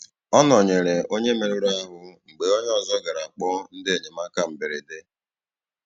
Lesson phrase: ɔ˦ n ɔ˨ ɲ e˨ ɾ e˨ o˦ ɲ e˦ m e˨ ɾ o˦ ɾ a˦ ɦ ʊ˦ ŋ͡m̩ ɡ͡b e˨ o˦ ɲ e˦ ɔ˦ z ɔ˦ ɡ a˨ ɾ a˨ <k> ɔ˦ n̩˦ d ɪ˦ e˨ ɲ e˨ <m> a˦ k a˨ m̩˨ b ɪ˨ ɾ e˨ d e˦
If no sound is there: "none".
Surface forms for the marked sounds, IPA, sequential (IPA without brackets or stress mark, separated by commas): k͡p, m